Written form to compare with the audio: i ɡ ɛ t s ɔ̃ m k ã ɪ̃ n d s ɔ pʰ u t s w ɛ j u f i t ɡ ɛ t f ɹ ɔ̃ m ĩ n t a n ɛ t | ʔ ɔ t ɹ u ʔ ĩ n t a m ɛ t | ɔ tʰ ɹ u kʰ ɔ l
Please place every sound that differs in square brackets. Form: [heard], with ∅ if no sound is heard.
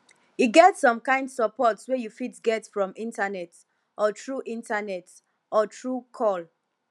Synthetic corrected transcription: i ɡ ɛ t s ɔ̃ m k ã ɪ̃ n d s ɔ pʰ [ɔ] t s w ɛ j u f i t ɡ ɛ t f ɹ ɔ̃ m ĩ n t a n ɛ t | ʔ ɔ t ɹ u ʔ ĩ n t a [n] ɛ t | ɔ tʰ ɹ u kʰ ɔ l